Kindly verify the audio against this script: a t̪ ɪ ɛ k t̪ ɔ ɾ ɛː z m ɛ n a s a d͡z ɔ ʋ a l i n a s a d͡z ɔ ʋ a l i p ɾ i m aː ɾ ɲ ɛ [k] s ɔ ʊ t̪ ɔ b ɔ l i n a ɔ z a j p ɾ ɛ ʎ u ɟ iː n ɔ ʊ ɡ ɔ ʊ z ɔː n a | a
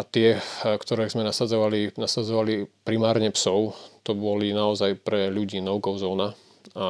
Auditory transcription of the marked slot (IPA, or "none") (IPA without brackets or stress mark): p